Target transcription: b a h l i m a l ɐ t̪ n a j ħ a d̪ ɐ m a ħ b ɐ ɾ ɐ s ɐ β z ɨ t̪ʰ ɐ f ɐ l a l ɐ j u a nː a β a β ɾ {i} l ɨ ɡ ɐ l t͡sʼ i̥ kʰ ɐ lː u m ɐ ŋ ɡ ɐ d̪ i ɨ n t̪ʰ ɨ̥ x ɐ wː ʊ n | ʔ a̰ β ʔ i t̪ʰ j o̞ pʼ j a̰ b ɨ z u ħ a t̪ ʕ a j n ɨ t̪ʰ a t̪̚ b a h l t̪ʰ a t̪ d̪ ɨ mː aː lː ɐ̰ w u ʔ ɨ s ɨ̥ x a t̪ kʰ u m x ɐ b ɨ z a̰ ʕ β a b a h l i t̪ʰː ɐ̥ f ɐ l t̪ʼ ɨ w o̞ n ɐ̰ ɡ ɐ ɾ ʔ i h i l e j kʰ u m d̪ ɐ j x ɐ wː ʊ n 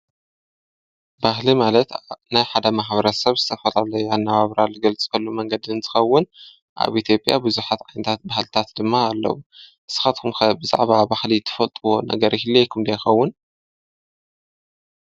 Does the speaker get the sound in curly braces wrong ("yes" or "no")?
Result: yes